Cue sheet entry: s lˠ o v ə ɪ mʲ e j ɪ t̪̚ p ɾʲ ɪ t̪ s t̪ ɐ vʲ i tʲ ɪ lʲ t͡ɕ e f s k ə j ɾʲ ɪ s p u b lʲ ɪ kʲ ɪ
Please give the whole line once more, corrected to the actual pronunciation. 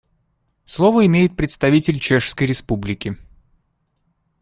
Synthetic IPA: s lˠ o v ə ɪ mʲ e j ɪ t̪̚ p ɾʲ ɪ t̪ s t̪ ɐ vʲ i tʲ ɪ lʲ t͡ɕ e ʂ s k ə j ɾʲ ɪ s p u b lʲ ɪ kʲ ɪ